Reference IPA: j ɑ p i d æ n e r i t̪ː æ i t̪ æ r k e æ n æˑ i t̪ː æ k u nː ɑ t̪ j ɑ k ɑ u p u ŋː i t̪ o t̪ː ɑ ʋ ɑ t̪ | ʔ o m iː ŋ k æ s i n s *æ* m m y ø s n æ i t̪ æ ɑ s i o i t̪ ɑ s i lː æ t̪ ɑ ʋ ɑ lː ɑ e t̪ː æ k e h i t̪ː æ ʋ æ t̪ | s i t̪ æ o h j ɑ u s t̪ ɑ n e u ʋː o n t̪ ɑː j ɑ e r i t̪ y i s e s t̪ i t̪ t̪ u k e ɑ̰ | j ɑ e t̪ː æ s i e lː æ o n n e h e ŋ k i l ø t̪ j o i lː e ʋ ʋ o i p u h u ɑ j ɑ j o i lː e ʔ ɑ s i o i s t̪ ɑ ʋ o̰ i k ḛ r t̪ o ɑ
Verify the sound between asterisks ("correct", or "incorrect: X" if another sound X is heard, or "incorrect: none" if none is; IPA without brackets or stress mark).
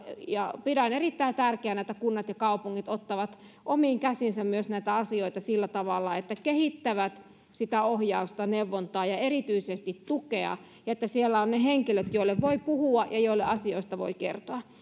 correct